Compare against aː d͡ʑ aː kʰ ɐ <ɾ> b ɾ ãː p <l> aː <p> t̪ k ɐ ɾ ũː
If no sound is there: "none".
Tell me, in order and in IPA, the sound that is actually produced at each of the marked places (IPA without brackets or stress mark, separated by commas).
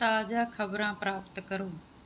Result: none, ɾ, p